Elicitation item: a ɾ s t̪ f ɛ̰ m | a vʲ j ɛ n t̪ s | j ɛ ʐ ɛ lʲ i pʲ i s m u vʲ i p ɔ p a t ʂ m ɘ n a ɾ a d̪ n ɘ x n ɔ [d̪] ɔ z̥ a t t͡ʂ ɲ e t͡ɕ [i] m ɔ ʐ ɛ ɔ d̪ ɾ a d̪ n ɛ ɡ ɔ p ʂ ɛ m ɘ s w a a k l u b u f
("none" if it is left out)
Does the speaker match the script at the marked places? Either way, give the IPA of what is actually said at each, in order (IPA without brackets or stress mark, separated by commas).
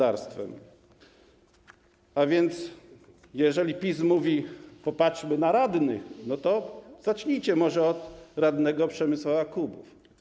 t̪, ɛ